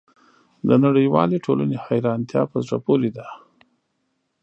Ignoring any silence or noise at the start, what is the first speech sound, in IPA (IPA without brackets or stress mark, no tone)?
d̪